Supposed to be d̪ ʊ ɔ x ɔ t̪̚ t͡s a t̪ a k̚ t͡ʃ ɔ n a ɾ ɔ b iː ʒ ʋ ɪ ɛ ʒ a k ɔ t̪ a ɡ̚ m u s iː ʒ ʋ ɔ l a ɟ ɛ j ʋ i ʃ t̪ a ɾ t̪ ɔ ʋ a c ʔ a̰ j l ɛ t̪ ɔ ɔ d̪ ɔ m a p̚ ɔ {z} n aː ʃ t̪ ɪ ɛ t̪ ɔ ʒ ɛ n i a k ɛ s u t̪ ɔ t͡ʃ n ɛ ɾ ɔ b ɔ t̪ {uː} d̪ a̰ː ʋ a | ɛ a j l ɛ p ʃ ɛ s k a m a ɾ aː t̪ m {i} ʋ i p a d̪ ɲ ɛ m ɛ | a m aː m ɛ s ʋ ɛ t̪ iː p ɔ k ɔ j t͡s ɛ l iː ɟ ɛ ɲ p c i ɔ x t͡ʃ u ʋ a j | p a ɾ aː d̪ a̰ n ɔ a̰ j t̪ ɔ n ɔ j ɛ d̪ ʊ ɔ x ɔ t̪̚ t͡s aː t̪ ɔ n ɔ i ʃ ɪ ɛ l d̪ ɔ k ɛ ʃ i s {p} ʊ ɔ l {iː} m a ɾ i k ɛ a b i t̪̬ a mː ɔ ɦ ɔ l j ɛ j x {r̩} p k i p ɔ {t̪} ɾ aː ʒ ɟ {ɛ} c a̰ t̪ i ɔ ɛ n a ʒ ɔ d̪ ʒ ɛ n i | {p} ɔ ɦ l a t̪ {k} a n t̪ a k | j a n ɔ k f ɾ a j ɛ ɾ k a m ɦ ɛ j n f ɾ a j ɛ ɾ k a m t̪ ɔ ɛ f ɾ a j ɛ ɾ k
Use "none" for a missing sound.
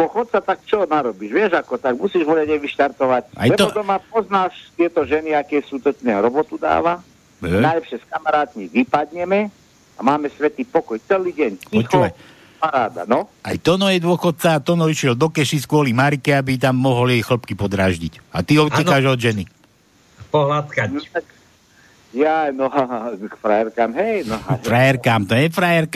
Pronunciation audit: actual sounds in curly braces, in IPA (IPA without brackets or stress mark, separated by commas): z, u, i, k, i, l̩, d̪, i, p, k